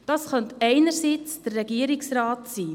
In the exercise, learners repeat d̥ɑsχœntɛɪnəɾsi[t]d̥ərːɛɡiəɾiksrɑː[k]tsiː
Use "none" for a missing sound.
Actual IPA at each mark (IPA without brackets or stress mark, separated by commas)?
t͡s, none